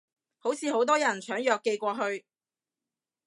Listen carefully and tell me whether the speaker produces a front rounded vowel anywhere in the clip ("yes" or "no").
yes